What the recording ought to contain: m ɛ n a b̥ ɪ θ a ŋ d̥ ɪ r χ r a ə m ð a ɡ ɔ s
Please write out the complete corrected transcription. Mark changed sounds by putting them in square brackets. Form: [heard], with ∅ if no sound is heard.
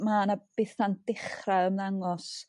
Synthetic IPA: m [a] n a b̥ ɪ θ a [n] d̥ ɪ [∅] χ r a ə m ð a [ŋ] ɔ s